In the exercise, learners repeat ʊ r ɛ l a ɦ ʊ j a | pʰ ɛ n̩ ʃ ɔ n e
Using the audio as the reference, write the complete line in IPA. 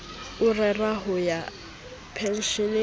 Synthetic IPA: ʊ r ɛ r a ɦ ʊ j a | pʰ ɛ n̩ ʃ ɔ n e